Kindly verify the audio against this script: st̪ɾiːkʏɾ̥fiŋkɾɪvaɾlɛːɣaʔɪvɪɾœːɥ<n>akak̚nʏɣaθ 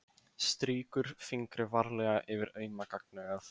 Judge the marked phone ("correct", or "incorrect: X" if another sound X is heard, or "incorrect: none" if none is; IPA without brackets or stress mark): incorrect: m